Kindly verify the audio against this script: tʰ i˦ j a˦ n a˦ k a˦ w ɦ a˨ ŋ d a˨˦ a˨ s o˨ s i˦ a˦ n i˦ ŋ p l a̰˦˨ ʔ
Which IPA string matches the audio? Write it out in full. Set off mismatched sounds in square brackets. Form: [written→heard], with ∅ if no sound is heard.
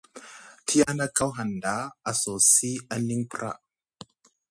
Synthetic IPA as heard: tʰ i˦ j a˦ n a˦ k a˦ w ɦ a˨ [ŋ→n] d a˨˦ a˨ s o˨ s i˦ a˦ n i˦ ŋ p [l→ɾ] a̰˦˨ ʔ

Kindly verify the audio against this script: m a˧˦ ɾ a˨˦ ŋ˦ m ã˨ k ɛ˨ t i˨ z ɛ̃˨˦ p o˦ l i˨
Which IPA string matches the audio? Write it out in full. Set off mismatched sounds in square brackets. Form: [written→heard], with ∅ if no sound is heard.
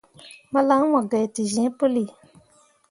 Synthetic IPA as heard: m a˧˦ [ɾ→l] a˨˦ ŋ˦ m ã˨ [k→ɡ] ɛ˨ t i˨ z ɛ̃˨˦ p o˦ l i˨

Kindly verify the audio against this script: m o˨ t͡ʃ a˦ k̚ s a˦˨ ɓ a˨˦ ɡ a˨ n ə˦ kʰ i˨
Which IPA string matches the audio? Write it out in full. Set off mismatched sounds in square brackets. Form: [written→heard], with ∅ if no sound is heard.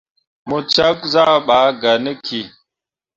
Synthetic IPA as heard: m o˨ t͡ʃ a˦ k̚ [s→z] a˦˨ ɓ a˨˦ ɡ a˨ n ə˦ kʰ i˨

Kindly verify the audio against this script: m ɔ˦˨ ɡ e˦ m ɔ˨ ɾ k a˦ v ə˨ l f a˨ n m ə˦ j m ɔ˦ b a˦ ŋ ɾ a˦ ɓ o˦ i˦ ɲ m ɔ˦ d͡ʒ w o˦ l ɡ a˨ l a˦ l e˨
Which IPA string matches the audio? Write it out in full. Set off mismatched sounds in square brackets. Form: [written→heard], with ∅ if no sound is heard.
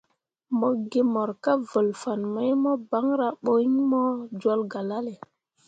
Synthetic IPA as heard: m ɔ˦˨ ɡ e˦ m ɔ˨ ɾ k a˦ v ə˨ l f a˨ n m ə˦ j m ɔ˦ b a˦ ŋ ɾ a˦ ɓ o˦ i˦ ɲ m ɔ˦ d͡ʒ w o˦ l ɡ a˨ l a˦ l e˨

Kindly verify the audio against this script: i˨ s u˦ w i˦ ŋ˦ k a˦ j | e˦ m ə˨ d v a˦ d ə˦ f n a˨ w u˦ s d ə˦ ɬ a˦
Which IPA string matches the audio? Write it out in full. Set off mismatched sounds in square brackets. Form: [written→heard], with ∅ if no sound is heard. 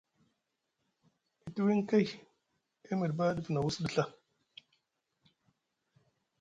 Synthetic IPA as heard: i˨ [s→t] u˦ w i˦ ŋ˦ k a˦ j | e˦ m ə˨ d [v→b] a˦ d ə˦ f n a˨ w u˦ s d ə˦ ɬ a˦

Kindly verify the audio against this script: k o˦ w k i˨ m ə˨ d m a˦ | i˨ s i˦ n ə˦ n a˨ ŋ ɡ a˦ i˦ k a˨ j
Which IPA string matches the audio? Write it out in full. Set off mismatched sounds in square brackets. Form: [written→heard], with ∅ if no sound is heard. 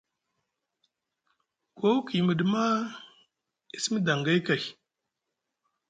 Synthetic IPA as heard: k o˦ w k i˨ m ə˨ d m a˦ | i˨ s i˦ [n→m] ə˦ [n→d] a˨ ŋ ɡ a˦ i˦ k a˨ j

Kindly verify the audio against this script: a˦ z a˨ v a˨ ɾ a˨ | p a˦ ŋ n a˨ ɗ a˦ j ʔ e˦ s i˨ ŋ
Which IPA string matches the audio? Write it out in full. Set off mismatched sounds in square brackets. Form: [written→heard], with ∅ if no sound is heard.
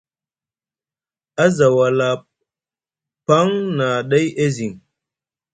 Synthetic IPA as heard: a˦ z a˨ [v→w] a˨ [ɾ→l] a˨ | p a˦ ŋ n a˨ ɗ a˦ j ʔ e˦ [s→z] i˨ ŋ

